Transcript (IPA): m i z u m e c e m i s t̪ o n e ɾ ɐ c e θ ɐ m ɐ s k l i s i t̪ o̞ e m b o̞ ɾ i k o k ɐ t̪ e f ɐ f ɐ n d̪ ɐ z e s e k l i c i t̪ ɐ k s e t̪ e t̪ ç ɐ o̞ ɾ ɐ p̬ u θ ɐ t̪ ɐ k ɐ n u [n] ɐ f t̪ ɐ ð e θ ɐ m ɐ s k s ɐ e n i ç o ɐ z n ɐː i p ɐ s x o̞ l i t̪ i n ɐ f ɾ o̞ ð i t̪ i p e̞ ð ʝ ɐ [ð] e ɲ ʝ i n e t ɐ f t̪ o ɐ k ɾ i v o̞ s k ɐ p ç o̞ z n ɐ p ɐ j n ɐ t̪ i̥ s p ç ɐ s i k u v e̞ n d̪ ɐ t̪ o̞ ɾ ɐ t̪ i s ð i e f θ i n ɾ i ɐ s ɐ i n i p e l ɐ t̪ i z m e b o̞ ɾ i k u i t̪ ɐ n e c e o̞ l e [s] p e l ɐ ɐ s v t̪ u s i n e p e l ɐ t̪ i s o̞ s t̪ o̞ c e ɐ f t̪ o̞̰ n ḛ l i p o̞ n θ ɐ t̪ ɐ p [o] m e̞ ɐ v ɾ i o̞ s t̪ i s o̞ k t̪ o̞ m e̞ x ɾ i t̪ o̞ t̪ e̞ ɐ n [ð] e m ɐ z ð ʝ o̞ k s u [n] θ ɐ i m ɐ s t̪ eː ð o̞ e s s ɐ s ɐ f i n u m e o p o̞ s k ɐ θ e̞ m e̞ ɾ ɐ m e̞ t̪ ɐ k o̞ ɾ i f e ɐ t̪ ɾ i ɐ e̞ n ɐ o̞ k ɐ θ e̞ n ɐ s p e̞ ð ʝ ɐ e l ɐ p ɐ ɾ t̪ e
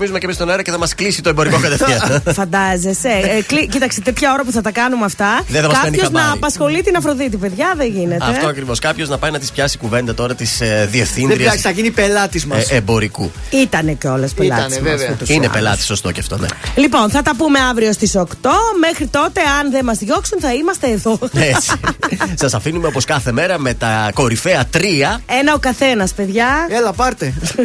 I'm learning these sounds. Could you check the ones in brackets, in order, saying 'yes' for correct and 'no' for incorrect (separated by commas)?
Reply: no, yes, yes, no, yes, yes